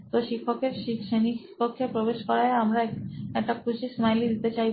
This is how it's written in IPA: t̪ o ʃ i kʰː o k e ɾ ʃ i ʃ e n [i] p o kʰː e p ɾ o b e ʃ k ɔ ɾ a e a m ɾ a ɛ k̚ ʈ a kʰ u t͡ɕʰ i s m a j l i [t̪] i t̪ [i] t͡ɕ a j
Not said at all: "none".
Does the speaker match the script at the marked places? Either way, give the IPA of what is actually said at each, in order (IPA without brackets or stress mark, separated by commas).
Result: i, d̪, e